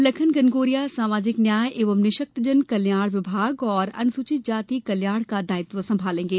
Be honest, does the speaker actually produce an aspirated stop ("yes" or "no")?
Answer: yes